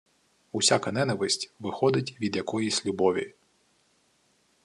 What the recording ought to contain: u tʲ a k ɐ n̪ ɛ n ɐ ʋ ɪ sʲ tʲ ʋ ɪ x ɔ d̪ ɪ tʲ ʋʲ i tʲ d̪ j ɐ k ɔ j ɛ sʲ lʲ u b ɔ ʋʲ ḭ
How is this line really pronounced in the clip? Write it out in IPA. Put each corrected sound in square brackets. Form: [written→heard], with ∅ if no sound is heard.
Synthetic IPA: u [tʲ→sʲ] a k ɐ n̪ ɛ n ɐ ʋ ɪ sʲ tʲ ʋ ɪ x ɔ d̪ ɪ tʲ ʋʲ i [tʲ→∅] d̪ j ɐ k ɔ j [ɛ→i] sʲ lʲ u b ɔ ʋʲ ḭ